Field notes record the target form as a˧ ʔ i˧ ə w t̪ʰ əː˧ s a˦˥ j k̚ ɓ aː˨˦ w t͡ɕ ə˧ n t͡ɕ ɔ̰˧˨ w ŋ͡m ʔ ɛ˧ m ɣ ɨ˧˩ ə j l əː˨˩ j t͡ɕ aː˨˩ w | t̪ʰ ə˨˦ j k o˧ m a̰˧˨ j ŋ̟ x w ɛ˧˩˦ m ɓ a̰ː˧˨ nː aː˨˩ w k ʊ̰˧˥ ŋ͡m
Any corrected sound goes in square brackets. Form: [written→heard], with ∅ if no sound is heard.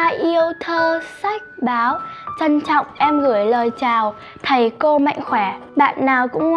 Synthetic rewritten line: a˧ ʔ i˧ ə w t̪ʰ əː˧ s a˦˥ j k̚ ɓ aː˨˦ w t͡ɕ ə˧ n t͡ɕ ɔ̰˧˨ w ŋ͡m ʔ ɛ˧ m ɣ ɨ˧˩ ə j l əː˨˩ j t͡ɕ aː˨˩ w | t̪ʰ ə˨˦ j k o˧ m a̰˧˨ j ŋ̟ x w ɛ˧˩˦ [m→∅] ɓ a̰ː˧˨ nː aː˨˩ w k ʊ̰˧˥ ŋ͡m